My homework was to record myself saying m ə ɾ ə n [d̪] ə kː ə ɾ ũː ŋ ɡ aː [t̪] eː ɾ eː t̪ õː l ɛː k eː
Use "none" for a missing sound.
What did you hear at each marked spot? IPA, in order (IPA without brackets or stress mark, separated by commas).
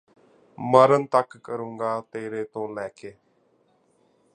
t̪, t̪